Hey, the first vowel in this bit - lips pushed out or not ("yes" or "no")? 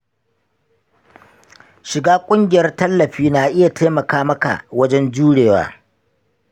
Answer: no